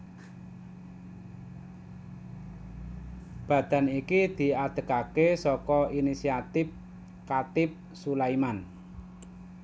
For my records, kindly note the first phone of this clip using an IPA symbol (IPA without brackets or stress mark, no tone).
b̥